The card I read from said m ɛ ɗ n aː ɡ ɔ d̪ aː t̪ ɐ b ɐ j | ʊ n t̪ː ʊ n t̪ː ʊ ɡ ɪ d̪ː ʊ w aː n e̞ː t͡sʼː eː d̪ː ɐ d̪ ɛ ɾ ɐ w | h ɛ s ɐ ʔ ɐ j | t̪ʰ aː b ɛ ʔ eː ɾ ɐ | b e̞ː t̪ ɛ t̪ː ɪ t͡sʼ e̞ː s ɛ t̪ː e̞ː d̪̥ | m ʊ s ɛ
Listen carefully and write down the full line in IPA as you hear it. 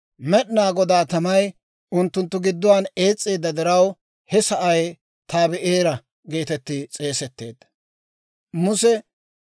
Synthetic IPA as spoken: m ɛ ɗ n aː ɡ ɔ d̪ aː t̪ ɐ m ɐ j | ʊ n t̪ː ʊ n t̪ː ʊ ɡ ɪ d̪ː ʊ w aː n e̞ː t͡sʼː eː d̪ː ɐ d̪ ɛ ɾ ɐ w | h ɛ s ɐ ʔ ɐ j | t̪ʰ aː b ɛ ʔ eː ɾ ɐ | ɡ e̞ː t̪ ɛ t̪ː ɪ t͡sʼ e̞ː s ɛ t̪ː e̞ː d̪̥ | m ʊ s ɛ